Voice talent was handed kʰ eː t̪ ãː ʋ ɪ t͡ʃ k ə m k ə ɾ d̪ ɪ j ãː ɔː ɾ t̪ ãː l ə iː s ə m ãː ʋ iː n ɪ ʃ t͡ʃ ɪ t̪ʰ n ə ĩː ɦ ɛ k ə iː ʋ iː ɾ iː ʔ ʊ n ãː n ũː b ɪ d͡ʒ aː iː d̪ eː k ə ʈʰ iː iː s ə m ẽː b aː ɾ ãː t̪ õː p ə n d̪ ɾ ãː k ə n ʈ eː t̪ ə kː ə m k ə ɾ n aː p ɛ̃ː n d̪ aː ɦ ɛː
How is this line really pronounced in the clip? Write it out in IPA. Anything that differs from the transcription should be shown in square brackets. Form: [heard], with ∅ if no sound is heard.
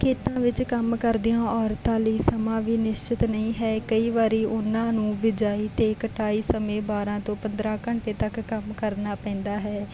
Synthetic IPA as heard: kʰ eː t̪ ãː ʋ ɪ t͡ʃ k ə m k ə ɾ d̪ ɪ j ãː ɔː ɾ t̪ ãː l ə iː s ə m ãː ʋ iː n ɪ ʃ t͡ʃ ɪ [t̪] n ə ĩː ɦ [ɛː] k ə iː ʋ [aː] ɾ iː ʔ ʊ n ãː n ũː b ɪ d͡ʒ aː iː [t̪] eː k ə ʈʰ [aː] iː s ə m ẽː b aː ɾ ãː t̪ õː p ə n d̪ ɾ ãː k ə [ɳ] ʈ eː t̪ ə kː ə m k ə ɾ n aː p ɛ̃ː n d̪ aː ɦ ɛː